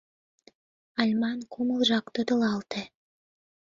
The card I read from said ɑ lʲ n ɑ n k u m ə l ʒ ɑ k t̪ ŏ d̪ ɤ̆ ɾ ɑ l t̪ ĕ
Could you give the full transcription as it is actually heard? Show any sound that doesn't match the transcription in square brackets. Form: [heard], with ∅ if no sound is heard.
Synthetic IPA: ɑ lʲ [m] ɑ n k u m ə l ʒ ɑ k t̪ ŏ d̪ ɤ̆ [l] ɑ l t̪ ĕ